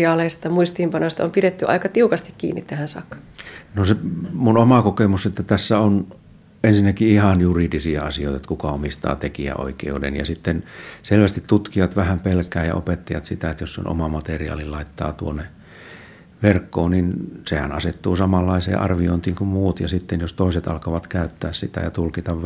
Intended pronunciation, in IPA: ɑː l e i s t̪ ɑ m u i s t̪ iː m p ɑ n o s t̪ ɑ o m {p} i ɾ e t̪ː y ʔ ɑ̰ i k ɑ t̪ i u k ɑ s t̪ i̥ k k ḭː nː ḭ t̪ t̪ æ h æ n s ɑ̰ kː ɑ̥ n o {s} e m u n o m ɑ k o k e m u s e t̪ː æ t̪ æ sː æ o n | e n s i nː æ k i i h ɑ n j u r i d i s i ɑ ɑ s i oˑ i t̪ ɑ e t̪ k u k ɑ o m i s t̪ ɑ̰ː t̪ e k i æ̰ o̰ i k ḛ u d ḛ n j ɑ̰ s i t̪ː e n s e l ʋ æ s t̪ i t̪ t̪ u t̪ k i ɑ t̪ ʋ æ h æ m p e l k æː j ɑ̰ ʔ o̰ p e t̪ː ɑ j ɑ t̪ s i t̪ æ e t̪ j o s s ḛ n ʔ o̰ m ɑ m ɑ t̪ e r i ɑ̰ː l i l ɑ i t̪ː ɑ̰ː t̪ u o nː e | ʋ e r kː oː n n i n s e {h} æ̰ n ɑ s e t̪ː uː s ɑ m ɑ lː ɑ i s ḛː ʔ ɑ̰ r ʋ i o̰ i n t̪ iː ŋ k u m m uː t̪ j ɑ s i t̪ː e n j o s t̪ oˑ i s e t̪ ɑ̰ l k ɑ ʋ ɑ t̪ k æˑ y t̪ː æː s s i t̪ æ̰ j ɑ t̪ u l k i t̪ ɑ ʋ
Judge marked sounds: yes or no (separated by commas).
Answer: yes, yes, yes